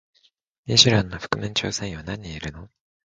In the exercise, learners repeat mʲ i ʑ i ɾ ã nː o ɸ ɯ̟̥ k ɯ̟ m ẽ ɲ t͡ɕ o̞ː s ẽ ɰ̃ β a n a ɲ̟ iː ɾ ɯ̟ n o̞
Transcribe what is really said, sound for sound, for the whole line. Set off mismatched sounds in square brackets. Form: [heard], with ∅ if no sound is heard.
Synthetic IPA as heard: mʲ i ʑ i ɾ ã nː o ɸ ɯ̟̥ k ɯ̟ m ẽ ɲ t͡ɕ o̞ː s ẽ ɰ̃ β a n a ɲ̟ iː ɾ ɯ̟ n o̞